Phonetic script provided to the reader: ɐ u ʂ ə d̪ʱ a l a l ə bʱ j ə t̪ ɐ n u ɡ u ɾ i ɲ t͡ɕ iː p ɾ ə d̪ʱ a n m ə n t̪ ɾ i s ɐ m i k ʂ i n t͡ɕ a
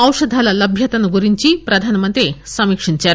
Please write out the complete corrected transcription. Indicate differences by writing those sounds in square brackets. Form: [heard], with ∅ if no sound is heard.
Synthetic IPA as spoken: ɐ [w] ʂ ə d̪ʱ a l a l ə bʱ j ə t̪ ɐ n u ɡ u ɾ i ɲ t͡ɕ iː p ɾ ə d̪ʱ a n m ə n t̪ ɾ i s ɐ m i k ʂ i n t͡ɕ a